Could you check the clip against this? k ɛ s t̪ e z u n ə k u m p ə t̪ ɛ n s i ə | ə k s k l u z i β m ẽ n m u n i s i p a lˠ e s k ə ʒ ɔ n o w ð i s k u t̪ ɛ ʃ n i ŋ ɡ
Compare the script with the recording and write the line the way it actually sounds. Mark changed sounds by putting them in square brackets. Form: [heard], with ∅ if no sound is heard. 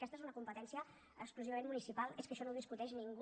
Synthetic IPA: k ɛ s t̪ e z u n ə k u m p ə t̪ ɛ n s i ə | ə k s k l u z i β m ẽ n m u n i s i p a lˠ e s k ə [ʃ] ɔ n o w ð i s k u t̪ ɛ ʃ n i ŋ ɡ